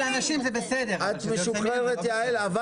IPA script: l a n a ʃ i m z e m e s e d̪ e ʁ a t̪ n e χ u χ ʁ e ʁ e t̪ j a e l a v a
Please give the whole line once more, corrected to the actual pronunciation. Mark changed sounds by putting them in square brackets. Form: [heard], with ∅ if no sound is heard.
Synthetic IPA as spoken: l a n a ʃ i m z e [b] e s e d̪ e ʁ a t̪ [m] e [ʃ] u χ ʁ e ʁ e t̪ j a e l a v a

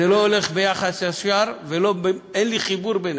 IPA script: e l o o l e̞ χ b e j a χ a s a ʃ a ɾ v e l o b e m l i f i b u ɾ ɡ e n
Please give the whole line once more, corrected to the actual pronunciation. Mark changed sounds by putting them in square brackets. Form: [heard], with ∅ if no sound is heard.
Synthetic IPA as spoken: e l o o l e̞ χ b e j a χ a s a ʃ a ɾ v e l o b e [n] l i [χ] i b u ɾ [b] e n

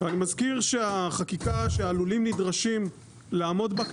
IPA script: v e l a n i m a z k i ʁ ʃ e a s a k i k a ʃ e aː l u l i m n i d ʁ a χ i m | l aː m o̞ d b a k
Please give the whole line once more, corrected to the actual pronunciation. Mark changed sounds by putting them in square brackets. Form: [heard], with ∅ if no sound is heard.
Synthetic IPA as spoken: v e [∅] a n i m a z k i ʁ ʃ e a [χ] a k i k a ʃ e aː l u l i m n i d ʁ a [ʃ] i m | l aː m o̞ d b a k

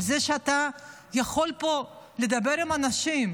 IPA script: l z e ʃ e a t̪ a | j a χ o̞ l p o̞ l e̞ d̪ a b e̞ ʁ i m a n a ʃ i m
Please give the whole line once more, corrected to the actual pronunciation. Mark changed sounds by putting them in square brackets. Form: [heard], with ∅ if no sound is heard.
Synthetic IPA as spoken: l z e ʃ e a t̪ a | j a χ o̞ l p o̞ l e̞ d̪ a b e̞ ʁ i m a n a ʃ i m

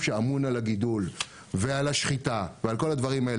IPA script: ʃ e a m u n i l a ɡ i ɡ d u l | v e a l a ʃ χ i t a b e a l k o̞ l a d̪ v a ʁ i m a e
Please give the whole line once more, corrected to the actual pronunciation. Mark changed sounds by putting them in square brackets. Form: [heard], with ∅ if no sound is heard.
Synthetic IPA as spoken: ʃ e a m u n [a] l a ɡ i [∅] d u l | v e a l a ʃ χ i t a [v] e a l k o̞ l a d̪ v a ʁ i m a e

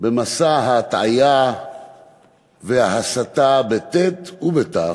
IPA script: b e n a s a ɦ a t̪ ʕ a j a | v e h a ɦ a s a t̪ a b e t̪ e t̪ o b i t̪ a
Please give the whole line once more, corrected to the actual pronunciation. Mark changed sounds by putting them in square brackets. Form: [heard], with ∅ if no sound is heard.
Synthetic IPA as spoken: b e [m] a s a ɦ a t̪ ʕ a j a | v e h a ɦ a s a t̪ a b e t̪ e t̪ [u] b [e] t̪ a

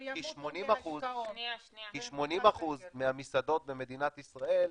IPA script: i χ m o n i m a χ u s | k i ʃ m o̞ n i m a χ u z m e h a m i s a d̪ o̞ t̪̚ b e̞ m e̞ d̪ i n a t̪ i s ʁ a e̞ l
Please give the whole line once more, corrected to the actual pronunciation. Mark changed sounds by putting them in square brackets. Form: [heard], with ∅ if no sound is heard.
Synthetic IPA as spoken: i [ʃ] m o n i m a χ u [z] | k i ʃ m o̞ n i m a χ u z m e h a m i s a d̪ o̞ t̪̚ b e̞ m e̞ d̪ i n a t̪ i s ʁ a e̞ l

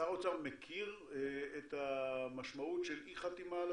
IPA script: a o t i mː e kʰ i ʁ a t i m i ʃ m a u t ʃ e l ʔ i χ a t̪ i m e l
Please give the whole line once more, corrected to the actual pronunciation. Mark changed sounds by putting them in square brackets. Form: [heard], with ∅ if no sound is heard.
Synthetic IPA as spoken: a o t [a] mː e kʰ i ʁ [e] t [a] m [a] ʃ m a u t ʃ e l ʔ i χ a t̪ i m [a] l

